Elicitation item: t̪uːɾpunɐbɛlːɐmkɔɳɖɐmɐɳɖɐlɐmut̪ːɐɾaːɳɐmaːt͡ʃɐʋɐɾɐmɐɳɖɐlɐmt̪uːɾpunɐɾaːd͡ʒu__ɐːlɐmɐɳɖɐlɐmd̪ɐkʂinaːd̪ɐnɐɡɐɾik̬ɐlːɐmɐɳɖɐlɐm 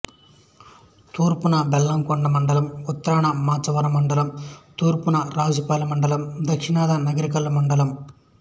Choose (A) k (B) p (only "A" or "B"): B